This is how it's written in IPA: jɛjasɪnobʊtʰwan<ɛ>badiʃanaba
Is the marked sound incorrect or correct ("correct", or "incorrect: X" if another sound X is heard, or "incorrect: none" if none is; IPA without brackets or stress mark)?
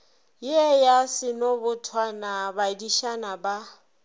incorrect: a